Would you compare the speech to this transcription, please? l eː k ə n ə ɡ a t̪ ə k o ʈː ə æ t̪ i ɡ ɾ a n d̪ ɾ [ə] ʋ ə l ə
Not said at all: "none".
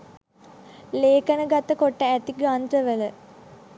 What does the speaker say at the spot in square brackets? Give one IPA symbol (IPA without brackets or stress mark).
ə